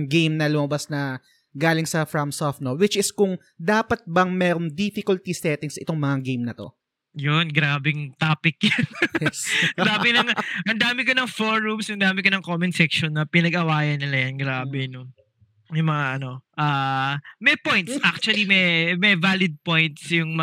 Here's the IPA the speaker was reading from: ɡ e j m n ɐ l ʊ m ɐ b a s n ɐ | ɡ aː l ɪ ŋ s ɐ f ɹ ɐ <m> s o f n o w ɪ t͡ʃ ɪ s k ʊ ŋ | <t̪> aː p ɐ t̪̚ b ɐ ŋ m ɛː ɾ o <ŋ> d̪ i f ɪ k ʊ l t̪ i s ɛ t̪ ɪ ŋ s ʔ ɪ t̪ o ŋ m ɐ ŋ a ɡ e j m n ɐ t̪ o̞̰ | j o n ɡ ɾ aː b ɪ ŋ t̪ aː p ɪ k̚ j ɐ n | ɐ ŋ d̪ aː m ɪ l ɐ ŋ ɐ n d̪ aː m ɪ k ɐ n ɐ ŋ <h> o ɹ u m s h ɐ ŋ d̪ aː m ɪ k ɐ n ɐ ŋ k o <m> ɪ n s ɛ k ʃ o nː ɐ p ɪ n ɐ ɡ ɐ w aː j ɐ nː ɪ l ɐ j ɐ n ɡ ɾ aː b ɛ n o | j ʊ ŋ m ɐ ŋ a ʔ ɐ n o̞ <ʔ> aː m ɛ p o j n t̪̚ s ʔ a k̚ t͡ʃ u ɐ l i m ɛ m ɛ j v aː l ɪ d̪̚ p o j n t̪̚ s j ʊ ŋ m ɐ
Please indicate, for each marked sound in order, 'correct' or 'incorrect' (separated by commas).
correct, incorrect, correct, incorrect, correct, correct